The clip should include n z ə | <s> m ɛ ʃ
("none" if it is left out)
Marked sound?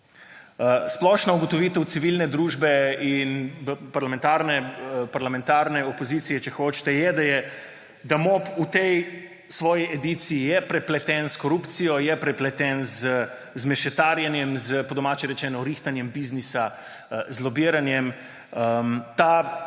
z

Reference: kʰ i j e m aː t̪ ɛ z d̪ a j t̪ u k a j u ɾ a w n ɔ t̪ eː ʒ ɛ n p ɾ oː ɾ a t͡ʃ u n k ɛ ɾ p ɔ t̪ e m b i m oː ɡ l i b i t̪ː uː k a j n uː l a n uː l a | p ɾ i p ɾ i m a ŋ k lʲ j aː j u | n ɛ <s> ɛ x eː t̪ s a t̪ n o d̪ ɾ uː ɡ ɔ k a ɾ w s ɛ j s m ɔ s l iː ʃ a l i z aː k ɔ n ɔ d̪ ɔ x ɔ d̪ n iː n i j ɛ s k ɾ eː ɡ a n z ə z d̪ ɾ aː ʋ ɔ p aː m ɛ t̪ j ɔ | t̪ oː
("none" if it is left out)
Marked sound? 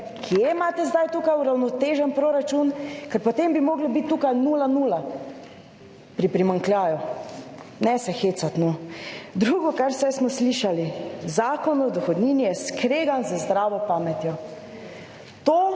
s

